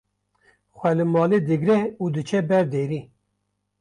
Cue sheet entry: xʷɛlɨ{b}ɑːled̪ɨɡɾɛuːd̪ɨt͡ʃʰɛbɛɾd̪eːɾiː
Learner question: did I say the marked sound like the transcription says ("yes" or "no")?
no